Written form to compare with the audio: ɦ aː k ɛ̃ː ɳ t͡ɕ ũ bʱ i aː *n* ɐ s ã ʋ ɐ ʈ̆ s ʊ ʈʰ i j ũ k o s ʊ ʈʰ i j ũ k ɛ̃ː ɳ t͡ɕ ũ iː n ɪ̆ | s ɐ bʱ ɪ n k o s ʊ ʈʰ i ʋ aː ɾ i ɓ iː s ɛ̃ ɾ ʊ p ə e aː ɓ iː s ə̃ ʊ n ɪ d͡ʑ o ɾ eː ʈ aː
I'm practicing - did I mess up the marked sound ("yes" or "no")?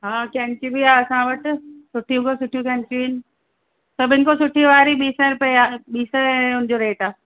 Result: yes